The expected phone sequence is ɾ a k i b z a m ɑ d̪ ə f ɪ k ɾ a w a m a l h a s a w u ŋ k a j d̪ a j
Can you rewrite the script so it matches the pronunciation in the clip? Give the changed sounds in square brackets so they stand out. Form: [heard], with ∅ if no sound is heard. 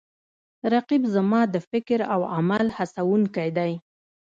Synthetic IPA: ɾ a [q] i b z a m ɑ d̪ ə f ɪ k ɾ a w a m a l h a s a w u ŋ k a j d̪ a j

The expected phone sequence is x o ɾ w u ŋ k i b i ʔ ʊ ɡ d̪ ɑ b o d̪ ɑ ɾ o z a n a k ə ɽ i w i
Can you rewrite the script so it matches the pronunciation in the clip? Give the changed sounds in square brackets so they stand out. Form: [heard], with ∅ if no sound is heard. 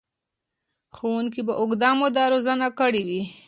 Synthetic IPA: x o [∅] w u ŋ k i b [a] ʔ ʊ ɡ d̪ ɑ [m] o d̪ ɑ ɾ o z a n a k ə ɽ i w i

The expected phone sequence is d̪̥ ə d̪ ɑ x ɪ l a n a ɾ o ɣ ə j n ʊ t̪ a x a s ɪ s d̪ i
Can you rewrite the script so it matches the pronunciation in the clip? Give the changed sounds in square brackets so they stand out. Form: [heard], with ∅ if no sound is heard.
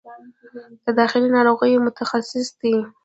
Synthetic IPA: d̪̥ ə d̪ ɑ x ɪ l [i] n [ɑ] ɾ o ɣ ə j [m] ʊ t̪ a x a s ɪ s d̪ i

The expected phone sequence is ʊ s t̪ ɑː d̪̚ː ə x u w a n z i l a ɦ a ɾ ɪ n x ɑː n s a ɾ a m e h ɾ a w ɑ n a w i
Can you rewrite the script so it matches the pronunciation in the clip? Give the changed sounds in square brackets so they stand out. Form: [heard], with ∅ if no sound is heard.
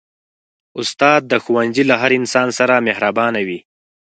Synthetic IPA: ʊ s t̪ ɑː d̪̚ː ə x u w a n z i l a ɦ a ɾ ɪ n [s] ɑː n s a ɾ a m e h ɾ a [b] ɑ n a w i

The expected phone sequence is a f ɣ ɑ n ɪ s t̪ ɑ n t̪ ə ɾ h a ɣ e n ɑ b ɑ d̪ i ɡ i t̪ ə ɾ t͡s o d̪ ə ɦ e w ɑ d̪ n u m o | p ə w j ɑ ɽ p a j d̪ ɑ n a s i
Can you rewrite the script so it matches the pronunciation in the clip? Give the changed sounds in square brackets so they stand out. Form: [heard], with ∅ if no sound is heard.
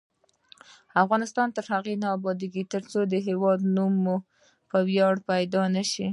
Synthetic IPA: a f ɣ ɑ n ɪ s t̪ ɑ n t̪ ə ɾ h a ɣ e n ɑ b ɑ d̪ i ɡ i t̪ ə ɾ t͡s o d̪ ə ɦ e w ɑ d̪ n u m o | p ə w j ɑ ɽ p a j d̪ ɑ n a [ʃ] i

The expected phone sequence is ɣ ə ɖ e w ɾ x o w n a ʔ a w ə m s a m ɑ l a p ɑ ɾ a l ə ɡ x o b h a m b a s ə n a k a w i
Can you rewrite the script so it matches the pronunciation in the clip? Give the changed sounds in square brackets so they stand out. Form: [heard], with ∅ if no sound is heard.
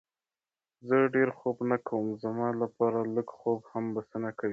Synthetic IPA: [z] ə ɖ e [∅] ɾ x o [b] n a [k] a w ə m [z] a m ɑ l a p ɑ ɾ a l ə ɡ x o b h a m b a s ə n a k a w i

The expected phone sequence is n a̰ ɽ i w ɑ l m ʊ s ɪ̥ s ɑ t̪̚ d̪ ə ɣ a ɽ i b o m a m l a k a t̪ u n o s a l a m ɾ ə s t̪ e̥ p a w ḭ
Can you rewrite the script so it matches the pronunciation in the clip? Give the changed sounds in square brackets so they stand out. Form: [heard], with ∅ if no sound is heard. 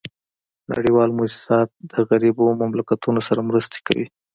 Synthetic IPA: n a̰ ɽ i w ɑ l m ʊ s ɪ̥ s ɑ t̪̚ d̪ ə ɣ a [ɾ] i b o m a m l a k a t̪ u n o s a [ɾ] a m ɾ ə s t̪ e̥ [k] a w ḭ

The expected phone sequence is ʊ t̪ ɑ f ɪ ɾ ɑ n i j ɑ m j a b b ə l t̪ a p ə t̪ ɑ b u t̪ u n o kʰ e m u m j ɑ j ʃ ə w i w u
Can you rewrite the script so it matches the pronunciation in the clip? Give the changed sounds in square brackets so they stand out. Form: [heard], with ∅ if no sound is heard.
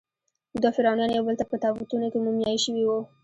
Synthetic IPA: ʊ [d̪] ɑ f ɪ ɾ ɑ n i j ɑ [n] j a [w] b ə l t̪ a p ə t̪ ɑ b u t̪ u n o [k] e m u m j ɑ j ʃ ə w i w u

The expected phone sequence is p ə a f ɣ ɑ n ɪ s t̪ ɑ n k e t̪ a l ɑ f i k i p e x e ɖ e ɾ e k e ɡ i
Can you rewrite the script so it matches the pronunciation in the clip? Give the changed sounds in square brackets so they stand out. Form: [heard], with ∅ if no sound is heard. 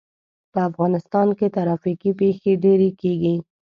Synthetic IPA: p ə a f ɣ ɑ n ɪ s t̪ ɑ n k e t̪ a [ɾ] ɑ f i k i p e x e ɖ e ɾ e k e ɡ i

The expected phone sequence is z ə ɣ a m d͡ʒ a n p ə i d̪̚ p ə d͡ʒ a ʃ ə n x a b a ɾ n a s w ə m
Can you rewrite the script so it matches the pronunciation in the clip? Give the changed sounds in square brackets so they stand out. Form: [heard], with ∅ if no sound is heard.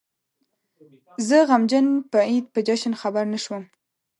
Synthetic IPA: z ə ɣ a m d͡ʒ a n p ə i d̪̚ p ə d͡ʒ a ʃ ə n x a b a ɾ n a [ʃ] w ə m

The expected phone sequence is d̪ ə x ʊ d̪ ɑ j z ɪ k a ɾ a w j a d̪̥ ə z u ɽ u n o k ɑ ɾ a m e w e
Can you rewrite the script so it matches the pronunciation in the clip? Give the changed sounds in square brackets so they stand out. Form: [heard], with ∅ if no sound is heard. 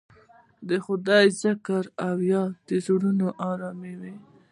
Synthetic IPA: d̪ ə x ʊ d̪ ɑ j z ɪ k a ɾ a w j [ɑ] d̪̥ ə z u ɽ u n o [ʔ] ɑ ɾ [ɑ] m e w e

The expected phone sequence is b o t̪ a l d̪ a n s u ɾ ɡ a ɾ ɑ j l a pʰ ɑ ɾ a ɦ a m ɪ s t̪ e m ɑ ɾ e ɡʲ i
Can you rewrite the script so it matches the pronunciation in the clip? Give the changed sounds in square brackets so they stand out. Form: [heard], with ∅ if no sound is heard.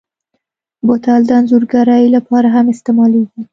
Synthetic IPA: b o t̪ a l d̪ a n [z] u ɾ ɡ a ɾ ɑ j l a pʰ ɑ ɾ a ɦ a m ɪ s t̪ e m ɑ [l] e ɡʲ i

